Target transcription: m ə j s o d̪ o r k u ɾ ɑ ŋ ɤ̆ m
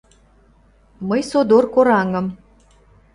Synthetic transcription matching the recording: m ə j s o d̪ o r k o ɾ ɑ ŋ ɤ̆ m

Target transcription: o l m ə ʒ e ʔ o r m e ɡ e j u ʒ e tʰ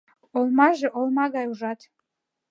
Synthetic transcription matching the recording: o l m a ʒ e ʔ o l m a ɡ a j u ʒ a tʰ

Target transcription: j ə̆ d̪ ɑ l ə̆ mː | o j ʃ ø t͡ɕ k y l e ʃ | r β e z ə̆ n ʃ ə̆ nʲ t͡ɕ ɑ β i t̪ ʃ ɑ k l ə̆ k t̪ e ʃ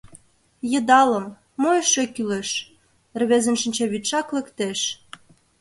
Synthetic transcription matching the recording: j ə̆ d̪ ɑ l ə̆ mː | o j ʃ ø k y l e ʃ | r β e z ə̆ n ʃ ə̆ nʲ t͡ɕ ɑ β i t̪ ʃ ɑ k l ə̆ k t̪ e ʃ

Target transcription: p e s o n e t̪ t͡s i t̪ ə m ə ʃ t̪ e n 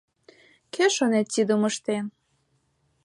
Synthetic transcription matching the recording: k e ʃ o n e t̪ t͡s i d̪ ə m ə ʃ t̪ e n

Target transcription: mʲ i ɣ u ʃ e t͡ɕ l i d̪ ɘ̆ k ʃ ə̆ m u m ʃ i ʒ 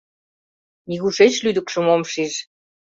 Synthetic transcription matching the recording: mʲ i ɣ u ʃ e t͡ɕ l y d̪ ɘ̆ k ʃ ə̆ m o m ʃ i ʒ

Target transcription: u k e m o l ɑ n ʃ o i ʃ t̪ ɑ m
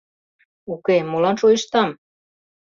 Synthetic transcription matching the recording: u k e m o l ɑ n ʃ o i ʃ t̪ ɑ m

